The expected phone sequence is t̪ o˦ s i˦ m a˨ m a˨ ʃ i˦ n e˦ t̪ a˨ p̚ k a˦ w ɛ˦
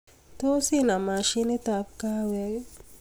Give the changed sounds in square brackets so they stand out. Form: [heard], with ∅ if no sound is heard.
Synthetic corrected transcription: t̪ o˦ s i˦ [n] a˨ m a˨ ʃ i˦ n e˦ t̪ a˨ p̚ k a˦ w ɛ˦